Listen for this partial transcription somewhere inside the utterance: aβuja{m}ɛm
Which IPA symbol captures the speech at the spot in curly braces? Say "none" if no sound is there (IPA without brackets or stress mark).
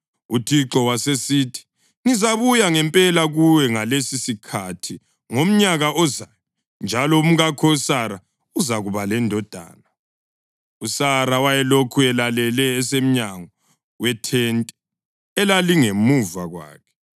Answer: ŋ